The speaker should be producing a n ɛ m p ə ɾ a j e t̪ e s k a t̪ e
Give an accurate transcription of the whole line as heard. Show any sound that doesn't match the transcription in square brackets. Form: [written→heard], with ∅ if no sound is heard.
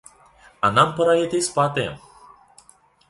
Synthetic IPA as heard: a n [ɛ→a] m p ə ɾ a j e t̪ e s [k→p] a t̪ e